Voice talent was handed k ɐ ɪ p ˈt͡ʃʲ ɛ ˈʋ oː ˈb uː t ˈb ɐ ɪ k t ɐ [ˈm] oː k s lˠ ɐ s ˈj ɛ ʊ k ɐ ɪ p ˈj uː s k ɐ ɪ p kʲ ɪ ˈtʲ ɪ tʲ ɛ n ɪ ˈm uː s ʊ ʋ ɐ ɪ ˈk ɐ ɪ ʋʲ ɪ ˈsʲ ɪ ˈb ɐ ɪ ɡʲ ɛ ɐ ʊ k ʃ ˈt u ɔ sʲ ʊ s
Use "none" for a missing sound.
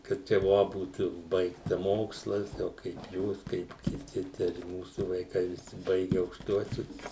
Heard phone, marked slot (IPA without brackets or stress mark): m